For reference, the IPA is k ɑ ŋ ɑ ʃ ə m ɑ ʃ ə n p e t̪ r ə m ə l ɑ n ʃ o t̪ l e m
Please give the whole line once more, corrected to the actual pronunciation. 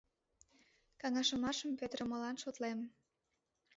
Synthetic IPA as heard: k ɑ ŋ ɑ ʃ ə m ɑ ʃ ə m p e t̪ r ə m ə l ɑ n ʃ o t̪ l e m